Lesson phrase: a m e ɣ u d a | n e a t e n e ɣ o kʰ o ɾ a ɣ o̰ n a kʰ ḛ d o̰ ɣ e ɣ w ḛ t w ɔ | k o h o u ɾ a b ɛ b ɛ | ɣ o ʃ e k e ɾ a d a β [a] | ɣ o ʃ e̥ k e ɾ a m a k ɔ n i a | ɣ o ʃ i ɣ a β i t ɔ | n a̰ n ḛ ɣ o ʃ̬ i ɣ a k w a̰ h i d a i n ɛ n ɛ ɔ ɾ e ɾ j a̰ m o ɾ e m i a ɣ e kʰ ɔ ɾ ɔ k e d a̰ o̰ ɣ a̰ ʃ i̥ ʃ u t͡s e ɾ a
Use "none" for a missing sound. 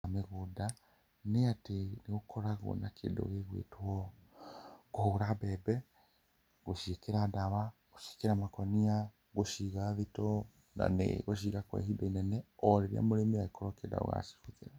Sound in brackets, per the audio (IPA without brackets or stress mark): a